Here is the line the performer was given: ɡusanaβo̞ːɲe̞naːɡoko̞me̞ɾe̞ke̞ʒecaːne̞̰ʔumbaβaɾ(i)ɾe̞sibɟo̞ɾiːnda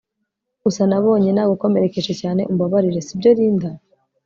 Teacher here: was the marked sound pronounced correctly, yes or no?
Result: yes